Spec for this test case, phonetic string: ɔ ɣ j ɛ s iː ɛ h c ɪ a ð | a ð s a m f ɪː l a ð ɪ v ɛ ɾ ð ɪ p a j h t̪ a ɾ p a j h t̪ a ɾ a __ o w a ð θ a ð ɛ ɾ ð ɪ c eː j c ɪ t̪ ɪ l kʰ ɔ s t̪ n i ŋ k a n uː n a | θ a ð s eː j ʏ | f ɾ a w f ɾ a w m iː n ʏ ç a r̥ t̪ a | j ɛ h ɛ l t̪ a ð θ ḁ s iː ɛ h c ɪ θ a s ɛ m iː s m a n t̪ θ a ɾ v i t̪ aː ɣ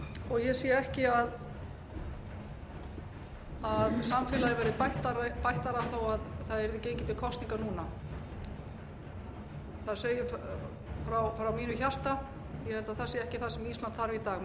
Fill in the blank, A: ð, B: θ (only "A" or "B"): B